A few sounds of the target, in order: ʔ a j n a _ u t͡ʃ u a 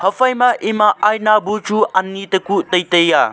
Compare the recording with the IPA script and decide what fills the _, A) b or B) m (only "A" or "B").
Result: A